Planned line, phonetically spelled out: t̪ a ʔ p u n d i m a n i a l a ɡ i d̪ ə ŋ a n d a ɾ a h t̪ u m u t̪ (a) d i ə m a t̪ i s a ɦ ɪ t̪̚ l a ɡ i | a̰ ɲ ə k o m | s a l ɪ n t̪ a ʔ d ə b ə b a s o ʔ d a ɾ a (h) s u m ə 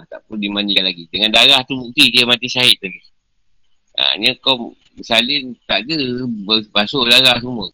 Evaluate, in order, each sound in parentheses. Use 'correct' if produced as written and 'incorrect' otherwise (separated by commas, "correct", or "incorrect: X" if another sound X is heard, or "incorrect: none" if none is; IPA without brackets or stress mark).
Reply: incorrect: i, correct